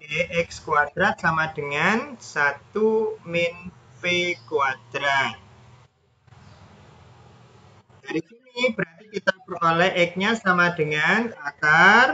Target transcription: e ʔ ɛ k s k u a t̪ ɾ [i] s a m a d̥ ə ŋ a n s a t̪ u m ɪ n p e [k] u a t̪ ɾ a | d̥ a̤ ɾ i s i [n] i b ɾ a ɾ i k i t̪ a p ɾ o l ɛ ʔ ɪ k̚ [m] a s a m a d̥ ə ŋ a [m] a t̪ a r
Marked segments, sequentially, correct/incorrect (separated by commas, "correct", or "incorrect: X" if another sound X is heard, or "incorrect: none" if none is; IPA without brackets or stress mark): incorrect: a, correct, correct, incorrect: ɲ, incorrect: n